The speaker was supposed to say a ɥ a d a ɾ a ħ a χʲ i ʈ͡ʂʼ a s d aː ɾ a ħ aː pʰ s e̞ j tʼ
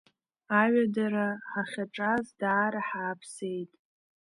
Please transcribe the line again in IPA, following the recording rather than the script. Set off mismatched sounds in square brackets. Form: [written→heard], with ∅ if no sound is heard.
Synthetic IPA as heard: a ɥ a d a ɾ a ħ a χʲ [i→a] ʈ͡ʂʼ a [s→z] d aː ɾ a ħ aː pʰ s e̞ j tʼ

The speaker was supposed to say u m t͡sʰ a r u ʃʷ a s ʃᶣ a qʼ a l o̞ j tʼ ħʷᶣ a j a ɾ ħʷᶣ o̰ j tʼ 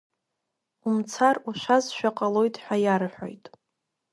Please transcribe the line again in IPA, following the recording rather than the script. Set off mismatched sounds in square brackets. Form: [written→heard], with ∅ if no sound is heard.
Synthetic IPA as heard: u m t͡sʰ a r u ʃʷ a [s→z] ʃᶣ a qʼ a l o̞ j tʼ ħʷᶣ a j a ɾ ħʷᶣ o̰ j tʼ

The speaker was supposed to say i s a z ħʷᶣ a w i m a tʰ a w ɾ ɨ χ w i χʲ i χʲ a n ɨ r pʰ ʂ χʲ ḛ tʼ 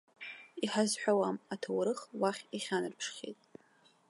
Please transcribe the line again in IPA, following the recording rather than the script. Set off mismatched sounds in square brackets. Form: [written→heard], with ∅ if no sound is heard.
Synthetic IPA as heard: i [s→ħ] a z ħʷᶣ a w [i→a] m a tʰ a w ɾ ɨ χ w [i→a] χʲ i χʲ a n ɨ r pʰ ʂ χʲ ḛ tʼ

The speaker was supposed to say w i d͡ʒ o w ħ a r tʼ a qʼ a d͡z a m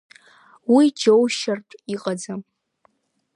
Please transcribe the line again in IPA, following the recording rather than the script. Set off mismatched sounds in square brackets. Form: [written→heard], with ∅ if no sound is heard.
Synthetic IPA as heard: w i d͡ʒ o w [ħ→ʃ] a r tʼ [a→i] qʼ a d͡z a m

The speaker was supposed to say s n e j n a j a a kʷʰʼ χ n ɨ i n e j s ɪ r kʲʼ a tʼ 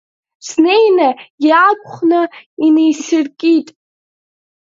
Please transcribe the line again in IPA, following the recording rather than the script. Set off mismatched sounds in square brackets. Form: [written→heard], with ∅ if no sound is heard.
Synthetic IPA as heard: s n e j n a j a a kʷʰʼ χ n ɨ i n e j s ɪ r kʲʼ [a→i] tʼ

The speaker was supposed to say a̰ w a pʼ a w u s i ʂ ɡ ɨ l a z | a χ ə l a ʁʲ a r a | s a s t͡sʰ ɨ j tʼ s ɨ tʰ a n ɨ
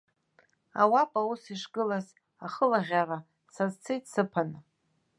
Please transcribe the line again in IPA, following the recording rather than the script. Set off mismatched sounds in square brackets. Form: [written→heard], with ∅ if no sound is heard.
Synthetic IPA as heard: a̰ w a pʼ a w u s i ʂ ɡ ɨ l a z | a χ ə l a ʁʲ a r a | s a [s→z] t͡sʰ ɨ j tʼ s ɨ [tʰ→pʰ] a n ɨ

